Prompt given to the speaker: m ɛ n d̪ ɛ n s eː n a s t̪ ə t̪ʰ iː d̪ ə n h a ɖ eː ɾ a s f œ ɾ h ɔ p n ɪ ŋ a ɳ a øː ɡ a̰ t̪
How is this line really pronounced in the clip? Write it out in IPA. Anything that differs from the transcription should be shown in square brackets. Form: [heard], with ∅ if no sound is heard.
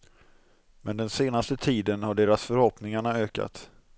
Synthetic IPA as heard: m ɛ n d̪ ɛ n s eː n a s t̪ ə t̪ʰ iː d̪ ə n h a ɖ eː ɾ a s f œ ɾ h ɔ p n ɪ ŋ a ɳ a øː [k] a̰ t̪

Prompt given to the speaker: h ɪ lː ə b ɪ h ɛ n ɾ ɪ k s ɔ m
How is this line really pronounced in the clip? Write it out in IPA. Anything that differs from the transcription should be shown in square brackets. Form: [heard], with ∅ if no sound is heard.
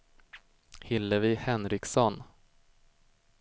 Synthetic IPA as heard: h ɪ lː ə [v] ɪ h ɛ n ɾ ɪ k s ɔ [n]

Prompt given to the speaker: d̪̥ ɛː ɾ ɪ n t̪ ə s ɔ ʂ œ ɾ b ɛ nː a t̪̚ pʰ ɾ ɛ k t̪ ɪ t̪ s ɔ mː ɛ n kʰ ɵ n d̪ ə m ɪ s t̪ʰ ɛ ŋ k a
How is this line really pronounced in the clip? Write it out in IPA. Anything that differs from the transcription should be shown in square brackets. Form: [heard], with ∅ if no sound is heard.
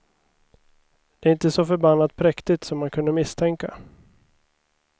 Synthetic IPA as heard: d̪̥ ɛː ɾ ɪ n t̪ ə s ɔ [f] œ ɾ b [a] nː a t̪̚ pʰ ɾ ɛ k t̪ ɪ t̪ s ɔ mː [a] n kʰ ɵ n d̪ ə m ɪ s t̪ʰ ɛ ŋ k a

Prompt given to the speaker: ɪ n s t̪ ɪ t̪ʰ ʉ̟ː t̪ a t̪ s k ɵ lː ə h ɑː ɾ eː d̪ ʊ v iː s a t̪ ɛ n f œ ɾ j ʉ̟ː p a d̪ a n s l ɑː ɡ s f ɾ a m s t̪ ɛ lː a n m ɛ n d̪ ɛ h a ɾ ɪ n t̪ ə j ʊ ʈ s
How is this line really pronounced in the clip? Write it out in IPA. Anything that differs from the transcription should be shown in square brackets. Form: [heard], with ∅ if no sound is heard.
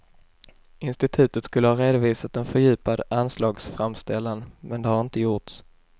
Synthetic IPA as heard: ɪ n s t̪ ɪ t̪ʰ ʉ̟ː t̪ [ə] t̪ s k ɵ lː ə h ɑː ɾ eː d̪ ʊ v iː s a t̪ ɛ n f œ ɾ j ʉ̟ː p a d̪ a n s l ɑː ɡ s f ɾ a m s t̪ ɛ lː a n m ɛ n d̪ ɛ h a ɾ ɪ n t̪ ə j ʊ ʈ s

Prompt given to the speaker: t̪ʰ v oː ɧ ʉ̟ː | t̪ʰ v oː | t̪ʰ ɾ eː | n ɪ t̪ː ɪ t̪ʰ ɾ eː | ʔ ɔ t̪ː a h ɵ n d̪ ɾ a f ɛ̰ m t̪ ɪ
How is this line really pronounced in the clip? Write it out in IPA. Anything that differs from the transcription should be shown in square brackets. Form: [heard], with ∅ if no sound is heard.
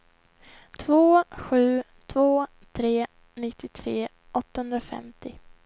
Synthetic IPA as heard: t̪ʰ v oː ɧ ʉ̟ː | t̪ʰ v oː | t̪ʰ ɾ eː | n ɪ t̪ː ɪ t̪ʰ ɾ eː | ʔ ɔ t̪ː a h ɵ n d̪ ɾ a f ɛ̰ m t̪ ɪ

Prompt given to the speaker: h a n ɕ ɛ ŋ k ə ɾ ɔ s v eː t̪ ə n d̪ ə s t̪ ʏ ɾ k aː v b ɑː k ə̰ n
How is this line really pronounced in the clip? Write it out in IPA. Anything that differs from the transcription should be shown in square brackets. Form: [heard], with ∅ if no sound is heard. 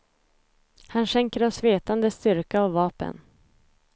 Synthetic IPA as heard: h a n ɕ ɛ ŋ k ə ɾ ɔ s v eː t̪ [a] n d̪ ə s t̪ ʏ ɾ k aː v [v] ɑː [p] ə̰ n

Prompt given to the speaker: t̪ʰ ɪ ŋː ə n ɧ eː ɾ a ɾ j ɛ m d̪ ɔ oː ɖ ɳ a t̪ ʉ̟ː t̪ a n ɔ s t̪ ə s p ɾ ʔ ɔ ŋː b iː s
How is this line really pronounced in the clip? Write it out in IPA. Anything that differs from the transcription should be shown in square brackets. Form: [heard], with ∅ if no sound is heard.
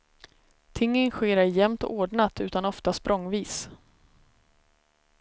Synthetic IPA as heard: t̪ʰ ɪ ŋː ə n ɧ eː ɾ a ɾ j ɛ m [t̪] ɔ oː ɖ ɳ a t̪ ʉ̟ː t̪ a n ɔ [f] t̪ [a] s p ɾ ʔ ɔ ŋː [v] iː s

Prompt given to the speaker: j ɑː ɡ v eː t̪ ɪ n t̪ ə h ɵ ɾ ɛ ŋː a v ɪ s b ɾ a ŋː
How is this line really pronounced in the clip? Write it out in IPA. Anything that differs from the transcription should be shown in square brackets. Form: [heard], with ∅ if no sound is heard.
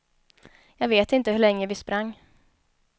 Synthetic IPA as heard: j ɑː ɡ v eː t̪ ɪ n t̪ ə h ɵ [ɭ] ɛ ŋː [ə] v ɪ s [p] ɾ a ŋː

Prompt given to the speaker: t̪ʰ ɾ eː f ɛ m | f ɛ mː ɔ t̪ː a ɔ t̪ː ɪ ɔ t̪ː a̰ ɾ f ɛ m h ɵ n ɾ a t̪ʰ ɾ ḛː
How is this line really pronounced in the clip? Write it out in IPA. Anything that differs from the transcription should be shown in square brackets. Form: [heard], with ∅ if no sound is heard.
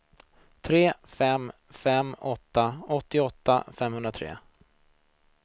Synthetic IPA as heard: t̪ʰ ɾ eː f ɛ m | f ɛ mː ɔ t̪ː a ɔ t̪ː ɪ ɔ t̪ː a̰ [∅] f ɛ m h ɵ n ɾ a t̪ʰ ɾ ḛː

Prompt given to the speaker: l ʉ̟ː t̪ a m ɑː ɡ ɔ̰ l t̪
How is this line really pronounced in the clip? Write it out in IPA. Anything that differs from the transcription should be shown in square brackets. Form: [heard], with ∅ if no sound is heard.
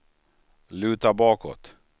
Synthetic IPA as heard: l ʉ̟ː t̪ a [b] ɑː [k] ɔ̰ [∅] t̪

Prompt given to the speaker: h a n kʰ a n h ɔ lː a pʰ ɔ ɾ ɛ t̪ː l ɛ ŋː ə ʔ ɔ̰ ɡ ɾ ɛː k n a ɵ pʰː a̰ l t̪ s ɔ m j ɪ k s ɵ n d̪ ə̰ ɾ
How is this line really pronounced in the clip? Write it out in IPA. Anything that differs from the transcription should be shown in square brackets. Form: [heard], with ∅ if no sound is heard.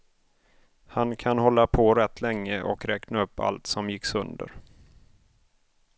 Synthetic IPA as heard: h a n kʰ a n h ɔ lː a pʰ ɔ ɾ ɛ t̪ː l ɛ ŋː ə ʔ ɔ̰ [k] ɾ ɛː k n a ɵ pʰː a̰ l t̪ s ɔ m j ɪ k s ɵ n d̪ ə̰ ɾ

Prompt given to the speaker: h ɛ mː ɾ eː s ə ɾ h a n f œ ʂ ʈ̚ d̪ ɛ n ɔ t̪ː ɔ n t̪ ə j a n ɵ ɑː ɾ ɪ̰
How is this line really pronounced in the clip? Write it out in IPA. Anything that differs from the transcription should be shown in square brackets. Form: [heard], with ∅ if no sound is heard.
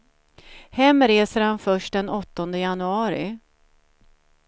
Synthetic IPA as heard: h ɛ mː ɾ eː s ə ɾ h a n f œ ʂ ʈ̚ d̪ ɛ n ɔ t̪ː ɔ n [d̪] ə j a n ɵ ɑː ɾ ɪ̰

